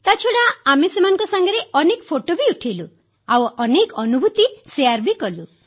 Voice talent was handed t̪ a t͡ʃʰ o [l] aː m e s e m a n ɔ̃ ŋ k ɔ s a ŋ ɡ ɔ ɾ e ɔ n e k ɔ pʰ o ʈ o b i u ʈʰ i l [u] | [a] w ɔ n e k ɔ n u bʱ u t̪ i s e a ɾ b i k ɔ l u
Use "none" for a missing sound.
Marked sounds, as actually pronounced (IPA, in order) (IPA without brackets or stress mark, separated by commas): ɽ, u, a